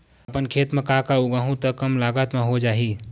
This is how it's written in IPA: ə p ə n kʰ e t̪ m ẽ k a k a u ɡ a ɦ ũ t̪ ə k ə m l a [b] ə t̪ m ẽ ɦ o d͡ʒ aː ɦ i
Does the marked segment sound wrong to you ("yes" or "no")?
yes